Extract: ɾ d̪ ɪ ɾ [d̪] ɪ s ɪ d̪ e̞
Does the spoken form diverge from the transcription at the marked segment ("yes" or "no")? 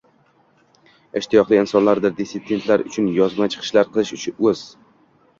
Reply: no